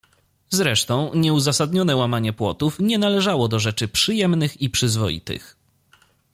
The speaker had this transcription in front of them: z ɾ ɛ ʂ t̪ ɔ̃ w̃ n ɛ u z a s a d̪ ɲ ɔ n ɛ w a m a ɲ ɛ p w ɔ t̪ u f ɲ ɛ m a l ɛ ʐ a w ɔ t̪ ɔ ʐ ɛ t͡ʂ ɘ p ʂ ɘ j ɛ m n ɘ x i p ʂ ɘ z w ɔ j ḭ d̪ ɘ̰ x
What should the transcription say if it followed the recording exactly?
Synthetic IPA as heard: z ɾ ɛ ʂ t̪ ɔ̃ w̃ ɲ ɛ u z a s a d̪ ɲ ɔ n ɛ w a m a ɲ ɛ p w ɔ t̪ u f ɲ ɛ n a l ɛ ʐ a w ɔ d̪ ɔ ʐ ɛ t͡ʂ ɘ p ʂ ɘ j ɛ m n ɘ x i p ʂ ɘ z v ɔ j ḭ t̪ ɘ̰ x